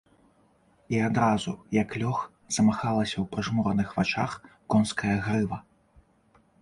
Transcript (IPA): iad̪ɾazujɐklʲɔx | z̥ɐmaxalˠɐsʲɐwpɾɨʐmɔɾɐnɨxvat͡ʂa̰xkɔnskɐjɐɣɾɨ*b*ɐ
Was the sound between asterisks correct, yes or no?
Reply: no